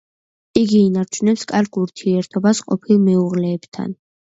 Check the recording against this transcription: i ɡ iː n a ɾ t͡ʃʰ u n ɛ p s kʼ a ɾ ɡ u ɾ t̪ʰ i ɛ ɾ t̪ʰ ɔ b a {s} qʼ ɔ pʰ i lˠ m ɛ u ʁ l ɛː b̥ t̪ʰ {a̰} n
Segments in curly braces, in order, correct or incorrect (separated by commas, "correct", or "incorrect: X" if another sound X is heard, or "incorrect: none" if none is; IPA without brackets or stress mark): correct, correct